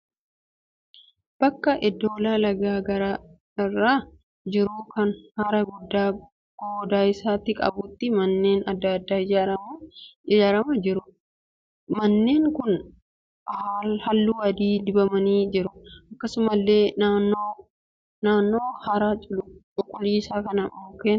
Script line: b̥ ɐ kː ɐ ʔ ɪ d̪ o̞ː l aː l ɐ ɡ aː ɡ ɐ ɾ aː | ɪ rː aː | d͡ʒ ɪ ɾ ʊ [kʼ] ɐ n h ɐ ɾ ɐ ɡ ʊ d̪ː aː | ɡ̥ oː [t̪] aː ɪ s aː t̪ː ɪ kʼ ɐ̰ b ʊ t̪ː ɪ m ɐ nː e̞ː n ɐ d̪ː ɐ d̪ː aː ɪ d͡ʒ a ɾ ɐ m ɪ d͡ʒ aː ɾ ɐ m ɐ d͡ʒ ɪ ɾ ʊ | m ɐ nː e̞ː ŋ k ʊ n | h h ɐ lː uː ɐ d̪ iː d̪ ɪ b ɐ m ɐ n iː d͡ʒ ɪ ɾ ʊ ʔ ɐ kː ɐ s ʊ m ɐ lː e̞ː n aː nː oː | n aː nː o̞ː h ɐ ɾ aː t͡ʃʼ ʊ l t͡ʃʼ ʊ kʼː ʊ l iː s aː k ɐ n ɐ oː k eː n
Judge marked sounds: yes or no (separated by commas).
no, no